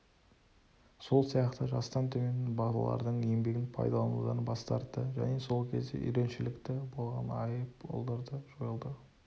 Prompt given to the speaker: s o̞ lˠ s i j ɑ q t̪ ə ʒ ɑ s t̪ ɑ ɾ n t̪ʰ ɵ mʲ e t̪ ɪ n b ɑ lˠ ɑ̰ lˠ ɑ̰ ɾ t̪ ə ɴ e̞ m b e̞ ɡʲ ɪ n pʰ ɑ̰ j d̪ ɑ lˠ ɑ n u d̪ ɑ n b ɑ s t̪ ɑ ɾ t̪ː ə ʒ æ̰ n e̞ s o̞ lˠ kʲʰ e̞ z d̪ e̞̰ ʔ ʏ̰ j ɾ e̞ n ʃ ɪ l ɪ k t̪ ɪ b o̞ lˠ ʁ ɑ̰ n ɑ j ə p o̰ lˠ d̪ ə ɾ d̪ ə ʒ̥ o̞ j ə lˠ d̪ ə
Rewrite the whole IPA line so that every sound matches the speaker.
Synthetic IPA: s o̞ lˠ s i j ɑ q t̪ ə ʒ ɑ s t̪ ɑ n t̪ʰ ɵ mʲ e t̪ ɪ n b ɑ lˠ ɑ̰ lˠ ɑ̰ ɾ d̪ ə ɴ e̞ m b e̞ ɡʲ ɪ n pʰ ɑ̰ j d̪ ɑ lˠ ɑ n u d̪ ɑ n b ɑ s t̪ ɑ ɾ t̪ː ə ʒ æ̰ n e̞ s o̞ lˠ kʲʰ e̞ z d̪ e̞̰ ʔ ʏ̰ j ɾ e̞ n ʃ ɪ l ɪ k t̪ ɪ b o̞ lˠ ʁ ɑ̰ n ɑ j ə p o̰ lˠ d̪ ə ɾ d̪ ə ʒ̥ o̞ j ə lˠ d̪ ə